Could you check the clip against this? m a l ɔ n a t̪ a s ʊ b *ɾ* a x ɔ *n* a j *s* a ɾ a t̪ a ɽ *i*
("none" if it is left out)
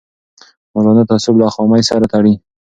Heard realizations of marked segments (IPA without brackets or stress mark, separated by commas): l, m, s, i